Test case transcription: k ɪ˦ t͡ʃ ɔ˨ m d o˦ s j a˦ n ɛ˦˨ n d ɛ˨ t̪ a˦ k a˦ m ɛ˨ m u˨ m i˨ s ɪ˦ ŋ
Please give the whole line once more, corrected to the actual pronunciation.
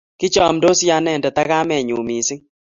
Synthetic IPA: k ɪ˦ t͡ʃ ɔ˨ m d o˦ s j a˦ n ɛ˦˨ n d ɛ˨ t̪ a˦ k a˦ m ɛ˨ ɲ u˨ m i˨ s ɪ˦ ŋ